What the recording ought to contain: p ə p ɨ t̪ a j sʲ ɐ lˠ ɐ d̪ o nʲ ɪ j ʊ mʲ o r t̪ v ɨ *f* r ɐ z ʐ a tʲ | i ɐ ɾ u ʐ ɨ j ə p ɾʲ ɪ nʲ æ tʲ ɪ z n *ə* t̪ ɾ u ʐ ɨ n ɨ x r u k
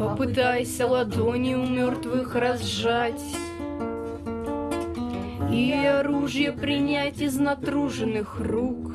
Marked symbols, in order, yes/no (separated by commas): no, no